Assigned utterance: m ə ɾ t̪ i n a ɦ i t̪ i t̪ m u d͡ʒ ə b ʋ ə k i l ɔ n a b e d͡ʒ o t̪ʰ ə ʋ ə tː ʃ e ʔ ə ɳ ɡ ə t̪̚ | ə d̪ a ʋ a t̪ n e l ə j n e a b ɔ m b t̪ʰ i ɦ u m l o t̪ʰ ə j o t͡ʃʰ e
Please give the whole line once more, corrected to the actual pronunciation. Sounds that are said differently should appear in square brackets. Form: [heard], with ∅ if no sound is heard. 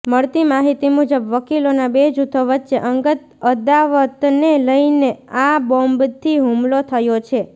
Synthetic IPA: m ə [ɭ] t̪ i [m] a ɦ i t̪ i [∅] m u d͡ʒ ə b ʋ ə k i l [o] n a b e d͡ʒ [u] t̪ʰ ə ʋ ə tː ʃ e ʔ ə [ŋ] ɡ ə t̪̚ | ə d̪ a ʋ [ə] t̪ n e l ə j n e a b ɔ m b t̪ʰ i ɦ u m l o t̪ʰ ə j o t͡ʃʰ e